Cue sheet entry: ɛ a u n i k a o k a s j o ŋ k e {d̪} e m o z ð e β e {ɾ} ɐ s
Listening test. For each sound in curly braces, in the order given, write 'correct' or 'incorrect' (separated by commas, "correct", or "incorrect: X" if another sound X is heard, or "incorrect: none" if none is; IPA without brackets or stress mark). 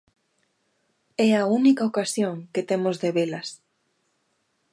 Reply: incorrect: t̪, incorrect: l